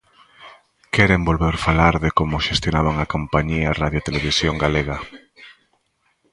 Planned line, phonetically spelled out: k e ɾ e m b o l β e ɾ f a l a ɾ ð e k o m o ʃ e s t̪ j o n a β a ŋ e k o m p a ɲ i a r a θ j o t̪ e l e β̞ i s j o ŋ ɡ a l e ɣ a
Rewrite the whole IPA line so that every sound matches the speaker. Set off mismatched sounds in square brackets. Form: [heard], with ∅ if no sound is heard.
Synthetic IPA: k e ɾ e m b o l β e ɾ f a l a ɾ ð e k o m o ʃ e s t̪ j o n a β a ŋ [a] k o m p a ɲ i a r a [ð] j o t̪ e l e β̞ i s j o ŋ ɡ a l e ɣ a